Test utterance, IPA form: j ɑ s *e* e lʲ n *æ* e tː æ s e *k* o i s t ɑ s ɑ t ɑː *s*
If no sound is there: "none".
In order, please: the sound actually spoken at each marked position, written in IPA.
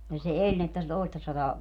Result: e, i, t, none

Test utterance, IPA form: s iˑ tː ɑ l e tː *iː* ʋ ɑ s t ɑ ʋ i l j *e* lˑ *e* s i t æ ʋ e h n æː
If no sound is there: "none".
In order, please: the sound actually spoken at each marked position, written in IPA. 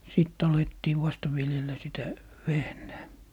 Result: iː, e, æ

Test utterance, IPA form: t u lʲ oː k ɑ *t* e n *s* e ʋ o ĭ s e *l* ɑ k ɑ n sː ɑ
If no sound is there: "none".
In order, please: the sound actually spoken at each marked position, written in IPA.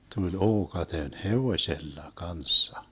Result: t, h, lː

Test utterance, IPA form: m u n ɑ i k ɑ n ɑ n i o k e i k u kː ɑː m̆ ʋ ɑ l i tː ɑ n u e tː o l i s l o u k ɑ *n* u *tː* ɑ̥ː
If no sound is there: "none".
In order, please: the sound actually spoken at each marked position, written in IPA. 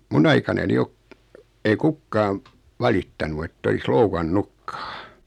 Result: nː, kː

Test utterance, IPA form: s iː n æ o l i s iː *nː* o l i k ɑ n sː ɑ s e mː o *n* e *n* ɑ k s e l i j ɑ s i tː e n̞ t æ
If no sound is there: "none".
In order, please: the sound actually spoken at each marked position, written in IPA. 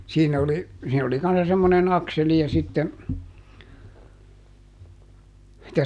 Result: n, n, n

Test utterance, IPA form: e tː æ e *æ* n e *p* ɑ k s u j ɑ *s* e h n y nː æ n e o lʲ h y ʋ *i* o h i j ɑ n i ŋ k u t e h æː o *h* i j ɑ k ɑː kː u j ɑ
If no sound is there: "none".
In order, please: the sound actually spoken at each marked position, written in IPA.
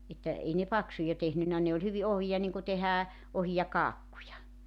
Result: i, p, t, i, h

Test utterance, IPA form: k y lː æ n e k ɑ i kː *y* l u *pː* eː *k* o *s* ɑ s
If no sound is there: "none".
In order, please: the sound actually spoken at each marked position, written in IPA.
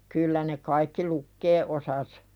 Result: i, kː, ʔ, s

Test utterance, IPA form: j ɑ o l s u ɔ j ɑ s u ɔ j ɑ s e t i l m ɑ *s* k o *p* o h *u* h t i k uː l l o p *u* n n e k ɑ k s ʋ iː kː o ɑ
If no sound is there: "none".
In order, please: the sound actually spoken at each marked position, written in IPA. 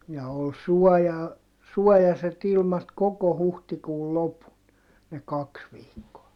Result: t, k, u, u

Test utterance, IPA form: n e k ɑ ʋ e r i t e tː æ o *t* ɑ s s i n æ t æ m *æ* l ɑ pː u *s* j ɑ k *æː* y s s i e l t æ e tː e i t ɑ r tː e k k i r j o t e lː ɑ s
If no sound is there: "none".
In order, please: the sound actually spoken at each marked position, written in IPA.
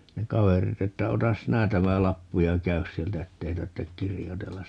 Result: t, æ, none, æ

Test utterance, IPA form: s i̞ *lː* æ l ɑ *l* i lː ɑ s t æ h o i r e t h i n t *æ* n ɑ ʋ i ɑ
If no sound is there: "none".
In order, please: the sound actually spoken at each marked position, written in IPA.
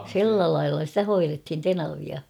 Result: lː, none, e

